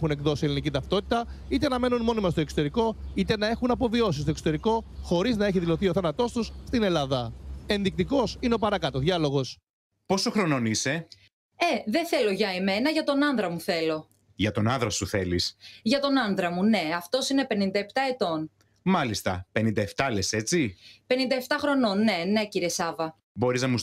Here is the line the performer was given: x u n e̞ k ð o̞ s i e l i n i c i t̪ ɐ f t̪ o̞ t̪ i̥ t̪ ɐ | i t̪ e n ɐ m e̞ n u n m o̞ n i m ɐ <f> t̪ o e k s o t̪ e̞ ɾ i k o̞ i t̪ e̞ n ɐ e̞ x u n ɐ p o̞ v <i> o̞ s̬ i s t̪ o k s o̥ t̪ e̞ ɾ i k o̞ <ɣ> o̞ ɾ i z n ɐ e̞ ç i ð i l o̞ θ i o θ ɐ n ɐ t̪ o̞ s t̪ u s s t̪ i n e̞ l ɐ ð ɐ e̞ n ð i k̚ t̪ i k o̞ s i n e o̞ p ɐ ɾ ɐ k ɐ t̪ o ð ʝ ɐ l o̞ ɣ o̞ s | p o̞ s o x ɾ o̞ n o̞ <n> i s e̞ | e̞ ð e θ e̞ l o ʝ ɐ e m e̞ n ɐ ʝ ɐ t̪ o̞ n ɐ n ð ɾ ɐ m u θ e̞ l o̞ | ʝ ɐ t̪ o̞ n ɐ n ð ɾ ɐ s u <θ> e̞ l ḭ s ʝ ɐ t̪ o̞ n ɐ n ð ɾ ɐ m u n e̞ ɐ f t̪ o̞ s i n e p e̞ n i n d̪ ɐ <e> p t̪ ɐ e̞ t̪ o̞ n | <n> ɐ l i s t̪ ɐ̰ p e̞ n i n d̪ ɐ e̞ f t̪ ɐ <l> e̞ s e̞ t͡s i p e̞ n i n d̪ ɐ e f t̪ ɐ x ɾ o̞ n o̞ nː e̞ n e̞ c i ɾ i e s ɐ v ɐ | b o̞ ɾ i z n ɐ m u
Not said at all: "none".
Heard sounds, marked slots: s, i, x, n, θ, e, m, l

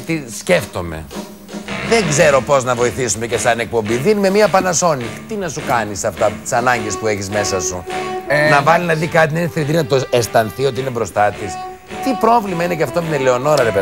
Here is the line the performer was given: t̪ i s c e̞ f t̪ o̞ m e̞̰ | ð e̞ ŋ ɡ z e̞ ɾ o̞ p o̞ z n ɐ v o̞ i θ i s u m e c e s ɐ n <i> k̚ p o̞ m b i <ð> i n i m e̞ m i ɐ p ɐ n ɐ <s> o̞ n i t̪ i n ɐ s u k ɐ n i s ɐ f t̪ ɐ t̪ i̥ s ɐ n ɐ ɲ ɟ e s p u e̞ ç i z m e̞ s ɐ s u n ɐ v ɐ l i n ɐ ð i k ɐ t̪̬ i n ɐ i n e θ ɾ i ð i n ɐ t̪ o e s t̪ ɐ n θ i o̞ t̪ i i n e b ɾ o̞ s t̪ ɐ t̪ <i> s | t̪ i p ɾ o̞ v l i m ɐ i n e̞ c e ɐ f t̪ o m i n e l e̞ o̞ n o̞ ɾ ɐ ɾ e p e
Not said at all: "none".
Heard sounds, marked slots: e, ð, s, i

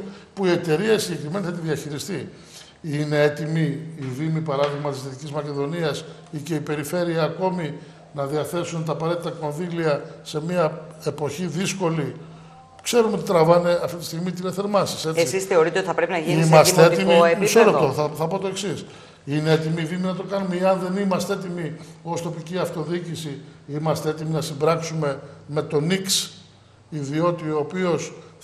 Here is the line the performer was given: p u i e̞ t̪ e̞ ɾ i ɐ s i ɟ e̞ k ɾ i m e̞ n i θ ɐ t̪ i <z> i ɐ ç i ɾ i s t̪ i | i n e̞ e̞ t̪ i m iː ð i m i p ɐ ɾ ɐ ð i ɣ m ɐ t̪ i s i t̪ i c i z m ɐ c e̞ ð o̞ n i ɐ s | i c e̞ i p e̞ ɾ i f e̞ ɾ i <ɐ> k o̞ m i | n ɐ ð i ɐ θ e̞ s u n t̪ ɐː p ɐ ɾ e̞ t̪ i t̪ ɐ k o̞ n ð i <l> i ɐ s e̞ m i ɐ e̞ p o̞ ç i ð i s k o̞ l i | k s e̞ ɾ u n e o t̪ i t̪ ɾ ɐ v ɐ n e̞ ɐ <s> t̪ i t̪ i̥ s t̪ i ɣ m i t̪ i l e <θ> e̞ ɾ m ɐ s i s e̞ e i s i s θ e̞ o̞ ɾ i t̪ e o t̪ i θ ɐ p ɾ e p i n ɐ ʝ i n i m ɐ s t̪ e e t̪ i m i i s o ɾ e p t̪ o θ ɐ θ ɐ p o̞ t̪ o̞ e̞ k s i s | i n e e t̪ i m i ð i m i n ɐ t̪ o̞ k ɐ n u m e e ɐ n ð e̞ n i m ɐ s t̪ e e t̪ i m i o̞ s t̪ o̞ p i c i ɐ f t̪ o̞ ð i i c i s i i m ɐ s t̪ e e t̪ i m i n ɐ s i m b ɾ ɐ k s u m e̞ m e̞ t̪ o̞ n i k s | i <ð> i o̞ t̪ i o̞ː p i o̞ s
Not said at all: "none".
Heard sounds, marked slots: ð, ɐː, l, f, θ, ð

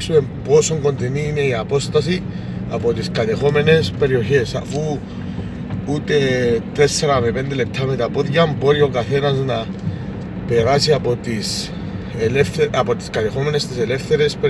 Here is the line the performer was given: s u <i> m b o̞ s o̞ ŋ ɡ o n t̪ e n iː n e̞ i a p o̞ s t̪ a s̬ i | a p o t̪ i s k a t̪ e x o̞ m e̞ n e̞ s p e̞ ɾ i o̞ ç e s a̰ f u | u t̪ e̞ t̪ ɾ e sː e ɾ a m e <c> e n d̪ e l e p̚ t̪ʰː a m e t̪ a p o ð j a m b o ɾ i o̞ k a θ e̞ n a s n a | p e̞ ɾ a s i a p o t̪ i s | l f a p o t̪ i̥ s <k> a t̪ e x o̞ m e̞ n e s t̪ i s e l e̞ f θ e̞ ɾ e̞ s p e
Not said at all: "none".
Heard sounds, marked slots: e, p, k

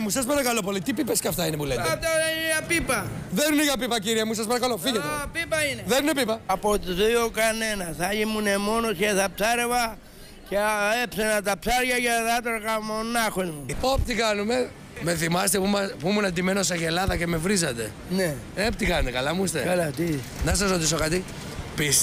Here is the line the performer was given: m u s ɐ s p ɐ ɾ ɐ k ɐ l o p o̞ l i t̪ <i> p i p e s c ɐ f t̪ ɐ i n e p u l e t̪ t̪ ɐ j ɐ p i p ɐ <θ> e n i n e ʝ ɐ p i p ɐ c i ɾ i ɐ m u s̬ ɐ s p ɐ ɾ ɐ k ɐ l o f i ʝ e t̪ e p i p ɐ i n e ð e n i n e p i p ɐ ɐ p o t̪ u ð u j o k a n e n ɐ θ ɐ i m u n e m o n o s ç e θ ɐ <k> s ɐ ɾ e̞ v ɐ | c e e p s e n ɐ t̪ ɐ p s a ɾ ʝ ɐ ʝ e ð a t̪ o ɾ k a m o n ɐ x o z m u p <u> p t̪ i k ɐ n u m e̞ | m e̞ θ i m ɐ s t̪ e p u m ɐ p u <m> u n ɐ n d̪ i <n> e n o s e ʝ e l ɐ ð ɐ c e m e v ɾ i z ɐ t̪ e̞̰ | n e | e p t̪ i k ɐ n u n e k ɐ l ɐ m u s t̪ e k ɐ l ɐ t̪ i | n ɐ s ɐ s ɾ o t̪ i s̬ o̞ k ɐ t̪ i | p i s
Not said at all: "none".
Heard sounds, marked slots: i, ð, p, o, m, m

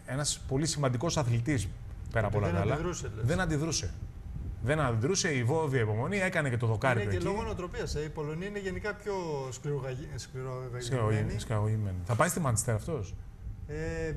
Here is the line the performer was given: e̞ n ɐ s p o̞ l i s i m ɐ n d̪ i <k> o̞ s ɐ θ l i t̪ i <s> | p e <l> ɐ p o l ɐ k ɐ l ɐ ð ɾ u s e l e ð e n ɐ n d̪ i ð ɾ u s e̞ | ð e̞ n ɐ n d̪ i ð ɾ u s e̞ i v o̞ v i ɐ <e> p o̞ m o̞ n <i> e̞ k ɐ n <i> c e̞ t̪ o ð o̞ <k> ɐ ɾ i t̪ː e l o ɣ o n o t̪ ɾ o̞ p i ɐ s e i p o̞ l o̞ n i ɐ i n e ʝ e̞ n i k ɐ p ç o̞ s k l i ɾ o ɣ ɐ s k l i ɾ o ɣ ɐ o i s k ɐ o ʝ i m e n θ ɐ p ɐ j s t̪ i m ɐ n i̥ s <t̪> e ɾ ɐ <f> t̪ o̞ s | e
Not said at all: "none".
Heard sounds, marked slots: k, s, ɾ, i, i, e, k, t̪, f

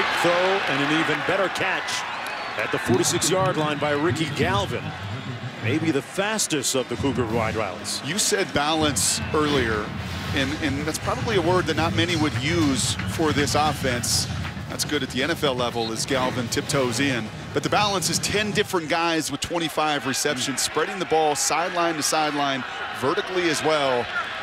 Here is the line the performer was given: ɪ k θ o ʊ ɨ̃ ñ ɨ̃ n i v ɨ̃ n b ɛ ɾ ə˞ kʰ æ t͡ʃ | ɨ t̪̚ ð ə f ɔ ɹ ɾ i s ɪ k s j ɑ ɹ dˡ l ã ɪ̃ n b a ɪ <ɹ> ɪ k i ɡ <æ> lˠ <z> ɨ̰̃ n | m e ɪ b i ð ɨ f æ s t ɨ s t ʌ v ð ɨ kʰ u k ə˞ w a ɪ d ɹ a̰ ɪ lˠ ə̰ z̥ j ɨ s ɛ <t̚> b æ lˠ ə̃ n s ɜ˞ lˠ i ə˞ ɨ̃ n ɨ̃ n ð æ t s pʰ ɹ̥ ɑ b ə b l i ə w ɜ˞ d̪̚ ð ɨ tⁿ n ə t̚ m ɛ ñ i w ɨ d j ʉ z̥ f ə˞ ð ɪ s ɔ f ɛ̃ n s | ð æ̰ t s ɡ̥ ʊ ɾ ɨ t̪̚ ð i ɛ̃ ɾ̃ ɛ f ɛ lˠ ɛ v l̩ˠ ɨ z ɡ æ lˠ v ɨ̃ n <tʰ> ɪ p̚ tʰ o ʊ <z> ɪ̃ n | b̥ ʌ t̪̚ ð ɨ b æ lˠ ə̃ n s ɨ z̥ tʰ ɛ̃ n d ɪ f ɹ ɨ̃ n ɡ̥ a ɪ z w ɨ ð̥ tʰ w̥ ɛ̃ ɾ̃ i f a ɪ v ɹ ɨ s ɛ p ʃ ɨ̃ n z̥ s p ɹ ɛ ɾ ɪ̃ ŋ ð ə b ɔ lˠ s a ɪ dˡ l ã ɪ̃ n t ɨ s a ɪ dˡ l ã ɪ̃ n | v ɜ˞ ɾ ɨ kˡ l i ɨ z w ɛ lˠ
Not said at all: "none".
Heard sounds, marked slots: ɹ, æ, v, d̚, tʰ, z

